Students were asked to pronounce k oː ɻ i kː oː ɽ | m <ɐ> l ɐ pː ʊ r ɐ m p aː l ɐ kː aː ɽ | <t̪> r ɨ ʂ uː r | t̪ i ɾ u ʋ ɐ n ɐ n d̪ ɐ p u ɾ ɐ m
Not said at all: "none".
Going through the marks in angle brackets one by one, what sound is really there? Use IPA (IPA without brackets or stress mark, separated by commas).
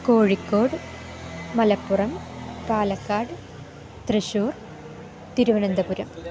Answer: ɐ, t̪